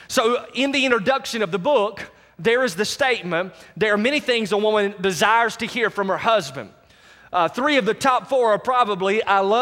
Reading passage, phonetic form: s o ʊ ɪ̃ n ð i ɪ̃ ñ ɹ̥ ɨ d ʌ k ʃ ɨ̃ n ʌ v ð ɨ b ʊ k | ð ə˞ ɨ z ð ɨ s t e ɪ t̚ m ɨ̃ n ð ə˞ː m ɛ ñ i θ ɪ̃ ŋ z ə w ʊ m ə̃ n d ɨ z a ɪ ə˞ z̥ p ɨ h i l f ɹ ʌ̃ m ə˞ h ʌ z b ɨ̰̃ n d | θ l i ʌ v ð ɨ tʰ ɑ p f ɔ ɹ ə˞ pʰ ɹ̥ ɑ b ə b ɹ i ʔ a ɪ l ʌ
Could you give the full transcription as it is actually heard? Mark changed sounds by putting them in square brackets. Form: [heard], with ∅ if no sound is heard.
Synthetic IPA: s o ʊ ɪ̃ n ð i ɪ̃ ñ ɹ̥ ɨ d ʌ k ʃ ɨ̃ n ʌ v ð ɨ b ʊ k | ð ə˞ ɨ z ð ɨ s t e ɪ t̚ m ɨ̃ n ð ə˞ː m ɛ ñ i θ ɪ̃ ŋ z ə w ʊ m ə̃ n d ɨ z a ɪ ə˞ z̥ [t] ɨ h i [ɹ] f ɹ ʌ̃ m ə˞ h ʌ z b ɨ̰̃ n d | θ [ɹ] i ʌ v ð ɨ tʰ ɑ p f ɔ ɹ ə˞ pʰ ɹ̥ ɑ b ə b [l] i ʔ a ɪ l ʌ